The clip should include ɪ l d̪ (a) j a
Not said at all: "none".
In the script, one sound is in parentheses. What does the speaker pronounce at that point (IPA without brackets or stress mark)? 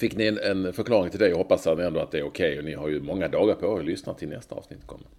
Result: ɛ